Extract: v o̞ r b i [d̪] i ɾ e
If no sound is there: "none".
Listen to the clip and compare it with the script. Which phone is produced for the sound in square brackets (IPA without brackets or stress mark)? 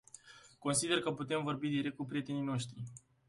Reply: d̪